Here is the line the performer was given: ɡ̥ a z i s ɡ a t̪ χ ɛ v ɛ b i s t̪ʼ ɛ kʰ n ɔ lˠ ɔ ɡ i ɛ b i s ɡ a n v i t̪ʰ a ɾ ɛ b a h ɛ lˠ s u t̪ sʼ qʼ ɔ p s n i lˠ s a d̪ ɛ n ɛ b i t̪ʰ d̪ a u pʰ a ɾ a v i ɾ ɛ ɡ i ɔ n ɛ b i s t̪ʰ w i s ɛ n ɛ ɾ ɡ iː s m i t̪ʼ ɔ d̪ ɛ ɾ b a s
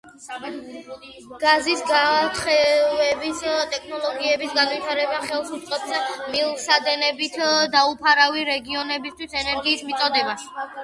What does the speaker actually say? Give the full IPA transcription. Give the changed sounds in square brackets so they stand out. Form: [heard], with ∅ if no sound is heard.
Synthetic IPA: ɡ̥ a z i s ɡ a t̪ χ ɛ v ɛ b i s t̪ʼ ɛ kʰ n ɔ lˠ ɔ ɡ i ɛ b i s ɡ a n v i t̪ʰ a ɾ ɛ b a [χ] ɛ lˠ s u t̪ sʼ qʼ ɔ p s [m] i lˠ s a d̪ ɛ n ɛ b i t̪ʰ d̪ a u pʰ a ɾ a v i ɾ ɛ ɡ i ɔ n ɛ b i s t̪ʰ w i s ɛ n ɛ ɾ ɡ iː s m i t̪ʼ ɔ d̪ ɛ [∅] b a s